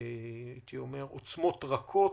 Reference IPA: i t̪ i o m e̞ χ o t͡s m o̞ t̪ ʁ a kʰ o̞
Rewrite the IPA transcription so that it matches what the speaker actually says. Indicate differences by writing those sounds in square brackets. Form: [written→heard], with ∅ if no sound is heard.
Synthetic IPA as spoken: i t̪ i o m e̞ [χ→ʁ] o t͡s m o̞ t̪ ʁ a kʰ o̞

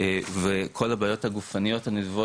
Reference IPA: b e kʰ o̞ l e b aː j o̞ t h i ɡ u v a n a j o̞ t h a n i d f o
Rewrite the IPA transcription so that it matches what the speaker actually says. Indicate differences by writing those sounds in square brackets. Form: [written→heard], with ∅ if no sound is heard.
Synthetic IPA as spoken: [b→v] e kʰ o̞ l [e→a] b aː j o̞ t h [i→a] ɡ u [v→f] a n [a→i] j o̞ t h a n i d [f→v] o

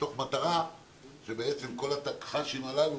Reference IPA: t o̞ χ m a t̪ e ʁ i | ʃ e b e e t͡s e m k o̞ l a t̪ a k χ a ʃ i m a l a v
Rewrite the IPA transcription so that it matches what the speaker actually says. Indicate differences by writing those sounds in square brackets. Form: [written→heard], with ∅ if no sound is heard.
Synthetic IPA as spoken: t o̞ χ m a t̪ [e→a] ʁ [i→a] | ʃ e b e e t͡s e m k o̞ l a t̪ a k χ a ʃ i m a l a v

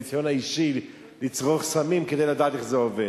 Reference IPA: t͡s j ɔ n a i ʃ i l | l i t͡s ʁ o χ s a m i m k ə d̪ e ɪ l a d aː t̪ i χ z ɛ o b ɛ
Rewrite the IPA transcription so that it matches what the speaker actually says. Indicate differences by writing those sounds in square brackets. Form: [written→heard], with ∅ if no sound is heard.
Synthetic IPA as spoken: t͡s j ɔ n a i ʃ i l | l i t͡s ʁ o χ s a m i m k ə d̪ e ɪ l a d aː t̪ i χ z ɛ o [b→v] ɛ

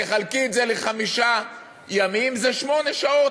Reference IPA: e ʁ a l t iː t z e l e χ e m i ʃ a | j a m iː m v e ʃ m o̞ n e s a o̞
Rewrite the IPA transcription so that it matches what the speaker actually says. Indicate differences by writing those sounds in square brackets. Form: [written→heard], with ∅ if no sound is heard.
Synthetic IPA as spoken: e [ʁ→χ] a l [t→k] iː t z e l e χ [e→a] m i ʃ a | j a m [iː→i] m [v→z] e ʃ m o̞ n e [s→ʃ] a o̞

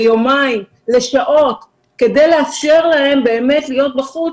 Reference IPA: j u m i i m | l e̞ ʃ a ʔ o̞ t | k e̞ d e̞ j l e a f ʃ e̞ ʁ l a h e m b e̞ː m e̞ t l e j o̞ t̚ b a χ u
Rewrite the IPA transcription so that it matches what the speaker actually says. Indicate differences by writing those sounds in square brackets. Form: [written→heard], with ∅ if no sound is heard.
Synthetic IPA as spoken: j [u→o] m [i→a] i m | l e̞ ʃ a ʔ o̞ t | k e̞ d e̞ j l e a f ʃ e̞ ʁ l a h e m b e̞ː m e̞ t l [e→i] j o̞ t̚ b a χ u

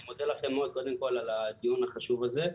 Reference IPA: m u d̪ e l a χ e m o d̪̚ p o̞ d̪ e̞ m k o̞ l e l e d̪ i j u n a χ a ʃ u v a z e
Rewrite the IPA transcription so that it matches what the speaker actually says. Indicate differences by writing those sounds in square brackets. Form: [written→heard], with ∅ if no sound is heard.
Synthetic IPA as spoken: m [u→o] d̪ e l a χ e m o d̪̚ [p→k] o̞ d̪ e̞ m k o̞ l [e→a] l [e→a] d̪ i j u n a χ a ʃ u v a z e

